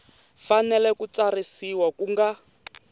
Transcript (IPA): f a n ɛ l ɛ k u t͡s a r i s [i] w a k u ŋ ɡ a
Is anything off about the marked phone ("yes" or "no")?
no